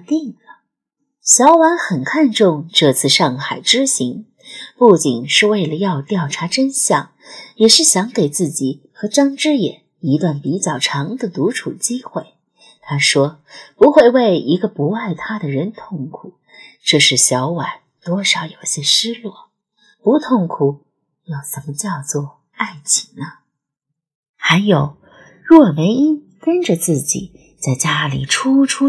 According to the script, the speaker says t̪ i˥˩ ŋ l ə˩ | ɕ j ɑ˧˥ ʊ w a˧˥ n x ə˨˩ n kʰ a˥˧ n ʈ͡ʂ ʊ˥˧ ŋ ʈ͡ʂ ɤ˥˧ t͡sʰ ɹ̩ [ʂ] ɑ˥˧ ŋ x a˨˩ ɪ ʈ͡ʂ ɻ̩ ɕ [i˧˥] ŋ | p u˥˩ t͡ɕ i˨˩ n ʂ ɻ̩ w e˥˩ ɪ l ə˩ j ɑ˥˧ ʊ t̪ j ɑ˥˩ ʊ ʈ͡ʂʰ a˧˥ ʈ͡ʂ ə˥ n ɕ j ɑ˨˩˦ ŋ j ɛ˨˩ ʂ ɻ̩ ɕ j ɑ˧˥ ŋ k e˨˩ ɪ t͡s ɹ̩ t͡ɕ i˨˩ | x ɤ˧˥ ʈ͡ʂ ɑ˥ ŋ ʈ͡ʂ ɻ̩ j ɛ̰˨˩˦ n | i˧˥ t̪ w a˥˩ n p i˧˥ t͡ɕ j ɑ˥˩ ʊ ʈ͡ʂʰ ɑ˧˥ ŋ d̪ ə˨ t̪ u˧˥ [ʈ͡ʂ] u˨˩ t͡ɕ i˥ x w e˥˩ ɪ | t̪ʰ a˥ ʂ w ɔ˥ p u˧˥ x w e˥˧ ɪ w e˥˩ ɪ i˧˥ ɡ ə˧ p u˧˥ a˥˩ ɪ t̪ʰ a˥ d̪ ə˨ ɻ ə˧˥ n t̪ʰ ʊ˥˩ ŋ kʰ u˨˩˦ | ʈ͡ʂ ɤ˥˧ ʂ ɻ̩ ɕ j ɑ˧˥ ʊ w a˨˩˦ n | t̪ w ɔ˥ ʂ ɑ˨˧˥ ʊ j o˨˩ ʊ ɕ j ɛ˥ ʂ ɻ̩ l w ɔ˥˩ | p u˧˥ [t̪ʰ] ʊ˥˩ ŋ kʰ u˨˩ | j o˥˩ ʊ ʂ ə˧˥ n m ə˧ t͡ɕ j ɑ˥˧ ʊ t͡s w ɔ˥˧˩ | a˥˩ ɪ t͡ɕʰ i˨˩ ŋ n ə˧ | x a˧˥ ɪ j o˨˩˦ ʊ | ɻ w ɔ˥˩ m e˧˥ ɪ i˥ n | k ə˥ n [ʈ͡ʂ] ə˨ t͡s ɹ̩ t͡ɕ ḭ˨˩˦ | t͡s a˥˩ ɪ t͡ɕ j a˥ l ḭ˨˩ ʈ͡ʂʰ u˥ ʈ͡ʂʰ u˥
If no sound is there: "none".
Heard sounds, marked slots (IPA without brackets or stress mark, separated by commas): ʂ, i˧˥, ʈ͡ʂʰ, t̪ʰ, ʈ͡ʂ